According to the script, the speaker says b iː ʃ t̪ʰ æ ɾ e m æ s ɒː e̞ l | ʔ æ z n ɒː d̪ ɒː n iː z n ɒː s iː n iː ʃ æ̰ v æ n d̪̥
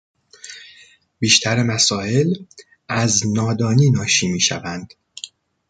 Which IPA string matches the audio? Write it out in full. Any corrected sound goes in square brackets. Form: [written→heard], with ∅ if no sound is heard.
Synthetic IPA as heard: b iː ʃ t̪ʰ æ ɾ e m æ s ɒː e̞ l | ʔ æ z n ɒː d̪ ɒː n iː [z→∅] n ɒː [s→ʃ] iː [n→m] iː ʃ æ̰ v æ n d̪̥